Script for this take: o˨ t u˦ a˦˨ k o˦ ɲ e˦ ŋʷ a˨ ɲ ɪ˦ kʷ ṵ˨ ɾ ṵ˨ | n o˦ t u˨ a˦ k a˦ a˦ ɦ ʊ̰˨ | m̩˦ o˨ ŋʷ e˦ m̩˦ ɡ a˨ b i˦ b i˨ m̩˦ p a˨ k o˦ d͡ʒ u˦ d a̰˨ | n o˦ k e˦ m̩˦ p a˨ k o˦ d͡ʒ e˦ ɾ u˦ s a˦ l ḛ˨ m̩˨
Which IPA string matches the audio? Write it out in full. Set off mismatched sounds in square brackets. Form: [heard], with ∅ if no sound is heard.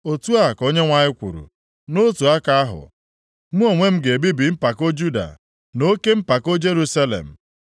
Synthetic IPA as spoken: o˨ t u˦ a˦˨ k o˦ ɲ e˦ ŋʷ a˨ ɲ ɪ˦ kʷ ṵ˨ ɾ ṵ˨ | n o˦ t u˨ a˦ k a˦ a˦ ɦ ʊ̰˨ | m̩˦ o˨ ŋʷ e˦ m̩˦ ɡ [e˨] b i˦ b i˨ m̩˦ p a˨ k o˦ d͡ʒ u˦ d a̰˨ | n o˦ k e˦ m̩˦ p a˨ k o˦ d͡ʒ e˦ ɾ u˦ s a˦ l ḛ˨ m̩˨